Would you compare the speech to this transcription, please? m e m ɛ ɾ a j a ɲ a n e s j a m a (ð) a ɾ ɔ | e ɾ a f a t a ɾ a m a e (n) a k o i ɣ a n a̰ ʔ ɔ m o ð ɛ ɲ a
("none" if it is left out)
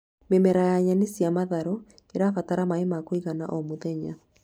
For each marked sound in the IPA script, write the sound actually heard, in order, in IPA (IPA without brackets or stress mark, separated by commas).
ð, m